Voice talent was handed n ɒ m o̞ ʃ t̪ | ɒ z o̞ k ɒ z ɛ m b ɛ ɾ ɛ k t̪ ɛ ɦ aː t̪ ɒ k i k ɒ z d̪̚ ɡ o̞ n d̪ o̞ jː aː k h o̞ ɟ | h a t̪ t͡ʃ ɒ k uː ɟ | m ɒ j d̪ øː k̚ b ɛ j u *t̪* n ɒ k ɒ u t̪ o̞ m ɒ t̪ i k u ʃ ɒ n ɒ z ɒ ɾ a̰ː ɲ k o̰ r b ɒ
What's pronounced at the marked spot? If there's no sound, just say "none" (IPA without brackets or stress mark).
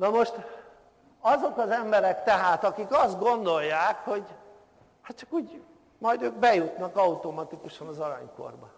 t̪